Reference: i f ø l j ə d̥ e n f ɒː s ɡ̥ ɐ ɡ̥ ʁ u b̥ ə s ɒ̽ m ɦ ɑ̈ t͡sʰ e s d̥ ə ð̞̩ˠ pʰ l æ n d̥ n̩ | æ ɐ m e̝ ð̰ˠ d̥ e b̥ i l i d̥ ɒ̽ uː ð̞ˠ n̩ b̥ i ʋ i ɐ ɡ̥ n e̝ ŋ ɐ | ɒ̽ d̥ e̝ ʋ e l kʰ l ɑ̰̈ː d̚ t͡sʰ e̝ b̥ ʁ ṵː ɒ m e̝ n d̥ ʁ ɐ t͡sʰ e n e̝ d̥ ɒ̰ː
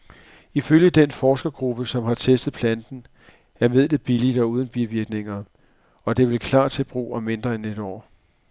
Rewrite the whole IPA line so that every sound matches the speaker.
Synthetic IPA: i f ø l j ə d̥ e n f ɒː s ɡ̥ ɐ ɡ̥ ʁ u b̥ ə s ɒ̽ m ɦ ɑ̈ t͡sʰ e s d̥ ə ð̞̩ˠ pʰ l æ n d̥ n̩ | æ ɐ m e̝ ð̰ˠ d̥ e b̥ i l i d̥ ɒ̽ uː ð̞ˠ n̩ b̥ i ʋ i ɐ ɡ̥ n e̝ ŋ ɐ | ɒ̽ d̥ e̝ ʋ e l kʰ l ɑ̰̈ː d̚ t͡sʰ e̝ b̥ ʁ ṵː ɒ m e̝ n d̥ ʁ ɐ e n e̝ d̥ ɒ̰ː